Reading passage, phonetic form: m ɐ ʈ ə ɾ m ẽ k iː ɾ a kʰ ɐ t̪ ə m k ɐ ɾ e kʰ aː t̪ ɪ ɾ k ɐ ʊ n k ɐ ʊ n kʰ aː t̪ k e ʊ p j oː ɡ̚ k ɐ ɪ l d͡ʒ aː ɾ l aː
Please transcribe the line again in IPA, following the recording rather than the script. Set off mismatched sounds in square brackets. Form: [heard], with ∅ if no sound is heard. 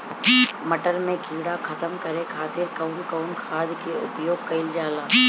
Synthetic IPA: m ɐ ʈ ə ɾ m ẽ k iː [ɽ] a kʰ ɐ t̪ ə m k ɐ ɾ e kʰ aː t̪ ɪ ɾ k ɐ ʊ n k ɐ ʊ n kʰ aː [d̪] k e ʊ p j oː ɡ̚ k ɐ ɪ l d͡ʒ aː [∅] l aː